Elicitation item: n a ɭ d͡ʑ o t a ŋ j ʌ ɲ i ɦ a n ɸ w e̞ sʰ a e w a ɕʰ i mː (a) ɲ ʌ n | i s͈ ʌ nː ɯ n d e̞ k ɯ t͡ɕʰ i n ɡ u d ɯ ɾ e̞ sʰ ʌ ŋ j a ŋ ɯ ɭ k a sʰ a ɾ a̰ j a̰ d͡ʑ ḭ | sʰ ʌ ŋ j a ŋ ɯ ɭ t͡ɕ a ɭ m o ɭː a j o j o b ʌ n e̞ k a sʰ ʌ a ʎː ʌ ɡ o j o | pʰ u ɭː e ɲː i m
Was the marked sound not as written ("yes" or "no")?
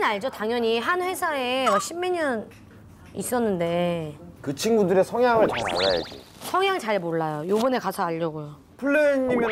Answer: yes